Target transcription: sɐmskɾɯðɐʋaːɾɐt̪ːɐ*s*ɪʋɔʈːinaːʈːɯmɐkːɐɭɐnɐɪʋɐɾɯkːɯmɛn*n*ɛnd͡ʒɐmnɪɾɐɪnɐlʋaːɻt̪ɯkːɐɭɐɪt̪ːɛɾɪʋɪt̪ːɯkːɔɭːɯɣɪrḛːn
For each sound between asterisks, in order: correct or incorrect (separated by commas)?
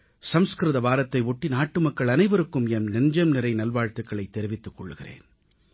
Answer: incorrect, correct